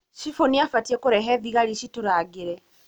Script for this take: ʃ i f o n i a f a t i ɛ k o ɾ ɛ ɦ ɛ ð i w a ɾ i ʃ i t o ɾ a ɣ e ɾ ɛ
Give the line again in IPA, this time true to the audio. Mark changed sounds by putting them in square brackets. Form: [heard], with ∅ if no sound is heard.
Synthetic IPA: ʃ i f o n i a f a t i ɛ k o ɾ ɛ ɦ ɛ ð i [ɣ] a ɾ i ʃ i t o ɾ a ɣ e ɾ ɛ